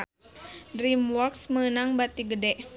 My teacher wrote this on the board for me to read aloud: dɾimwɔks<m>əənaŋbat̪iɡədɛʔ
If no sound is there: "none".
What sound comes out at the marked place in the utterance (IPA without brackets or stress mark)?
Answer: m